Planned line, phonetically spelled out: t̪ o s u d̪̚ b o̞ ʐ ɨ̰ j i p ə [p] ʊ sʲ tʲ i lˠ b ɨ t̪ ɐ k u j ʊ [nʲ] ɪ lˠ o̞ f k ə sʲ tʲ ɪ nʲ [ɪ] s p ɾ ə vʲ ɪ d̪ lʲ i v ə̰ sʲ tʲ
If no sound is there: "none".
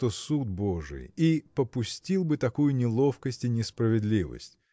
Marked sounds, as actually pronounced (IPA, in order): p, nʲ, ɪ

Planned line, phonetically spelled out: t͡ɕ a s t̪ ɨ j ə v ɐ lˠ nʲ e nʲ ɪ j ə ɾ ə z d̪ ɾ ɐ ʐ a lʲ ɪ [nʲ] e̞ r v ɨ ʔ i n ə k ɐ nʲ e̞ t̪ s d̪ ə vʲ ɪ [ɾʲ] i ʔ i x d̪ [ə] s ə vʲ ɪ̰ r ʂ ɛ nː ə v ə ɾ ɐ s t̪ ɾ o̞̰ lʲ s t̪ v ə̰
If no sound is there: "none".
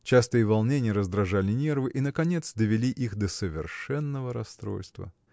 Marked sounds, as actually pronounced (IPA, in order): nʲ, lʲ, ə

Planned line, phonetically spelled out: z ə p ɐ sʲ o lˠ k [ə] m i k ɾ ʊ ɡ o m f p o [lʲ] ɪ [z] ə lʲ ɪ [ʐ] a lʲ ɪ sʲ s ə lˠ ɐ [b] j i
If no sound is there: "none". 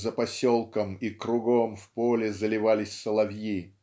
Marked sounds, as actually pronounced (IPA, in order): ə, lʲ, z, v, v

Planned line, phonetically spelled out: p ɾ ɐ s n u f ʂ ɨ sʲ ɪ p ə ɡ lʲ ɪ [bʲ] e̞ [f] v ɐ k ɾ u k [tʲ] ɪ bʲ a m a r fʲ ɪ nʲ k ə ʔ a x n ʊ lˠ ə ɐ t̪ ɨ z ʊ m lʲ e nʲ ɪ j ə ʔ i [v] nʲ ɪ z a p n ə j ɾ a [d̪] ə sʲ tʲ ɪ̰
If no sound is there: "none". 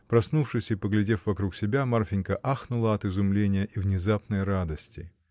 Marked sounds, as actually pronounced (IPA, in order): dʲ, f, sʲ, v, d̪

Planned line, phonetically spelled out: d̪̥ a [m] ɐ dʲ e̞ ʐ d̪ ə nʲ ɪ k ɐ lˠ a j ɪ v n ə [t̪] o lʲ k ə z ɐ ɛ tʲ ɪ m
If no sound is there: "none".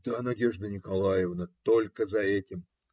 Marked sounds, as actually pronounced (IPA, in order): n, t̪

